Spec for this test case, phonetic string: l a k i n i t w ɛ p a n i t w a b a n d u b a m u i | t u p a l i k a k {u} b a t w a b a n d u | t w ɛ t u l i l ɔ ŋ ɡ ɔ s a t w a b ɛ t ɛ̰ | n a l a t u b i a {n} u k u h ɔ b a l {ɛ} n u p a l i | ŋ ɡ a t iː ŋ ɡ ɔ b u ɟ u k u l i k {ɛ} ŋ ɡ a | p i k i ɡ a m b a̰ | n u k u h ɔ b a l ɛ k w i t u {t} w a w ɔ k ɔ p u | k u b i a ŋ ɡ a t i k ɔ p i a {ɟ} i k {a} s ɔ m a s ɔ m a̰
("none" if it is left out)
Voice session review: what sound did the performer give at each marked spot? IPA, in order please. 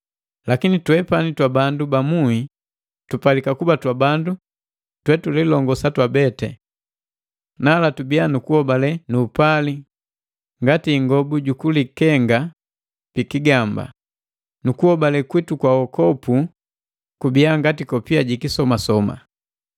u, n, ɛ, ɛ, k, ɟ, i

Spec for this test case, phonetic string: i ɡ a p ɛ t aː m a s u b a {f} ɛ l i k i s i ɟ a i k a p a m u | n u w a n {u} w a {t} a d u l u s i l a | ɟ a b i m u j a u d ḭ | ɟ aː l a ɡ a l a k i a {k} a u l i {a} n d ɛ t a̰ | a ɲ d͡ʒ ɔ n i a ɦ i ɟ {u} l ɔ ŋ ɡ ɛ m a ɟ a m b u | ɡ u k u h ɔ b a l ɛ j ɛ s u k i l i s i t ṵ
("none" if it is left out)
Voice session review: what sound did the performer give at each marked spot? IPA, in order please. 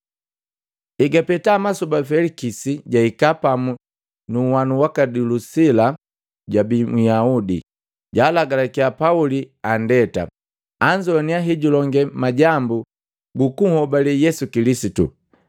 f, u, k, p, a, u

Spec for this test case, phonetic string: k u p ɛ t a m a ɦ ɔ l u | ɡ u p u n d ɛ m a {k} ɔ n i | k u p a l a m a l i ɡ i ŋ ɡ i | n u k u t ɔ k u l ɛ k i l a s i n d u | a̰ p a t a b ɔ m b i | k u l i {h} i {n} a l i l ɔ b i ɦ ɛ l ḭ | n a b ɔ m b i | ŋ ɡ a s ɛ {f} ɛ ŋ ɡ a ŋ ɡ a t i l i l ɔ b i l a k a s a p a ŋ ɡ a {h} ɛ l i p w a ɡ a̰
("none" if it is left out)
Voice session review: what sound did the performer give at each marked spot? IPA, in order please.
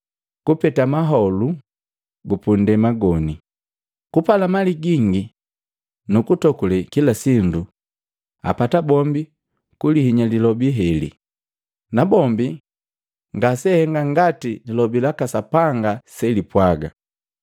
ɡ, h, ɲ, h, s

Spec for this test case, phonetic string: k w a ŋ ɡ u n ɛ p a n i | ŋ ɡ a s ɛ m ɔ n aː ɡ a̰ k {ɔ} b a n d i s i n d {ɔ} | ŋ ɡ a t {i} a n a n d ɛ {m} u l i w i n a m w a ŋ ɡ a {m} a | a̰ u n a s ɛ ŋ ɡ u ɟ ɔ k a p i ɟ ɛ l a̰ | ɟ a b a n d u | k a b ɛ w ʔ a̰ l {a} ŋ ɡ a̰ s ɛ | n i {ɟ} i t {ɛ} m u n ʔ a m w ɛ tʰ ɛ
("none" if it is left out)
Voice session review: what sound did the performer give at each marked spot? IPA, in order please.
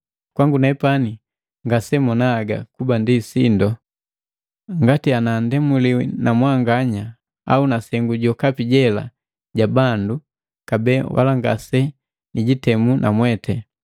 u, ɔ, i, m, ɲ, a, ɟ, ɛ

